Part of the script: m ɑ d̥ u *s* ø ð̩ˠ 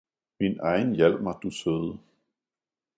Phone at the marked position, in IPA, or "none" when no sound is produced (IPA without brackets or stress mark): s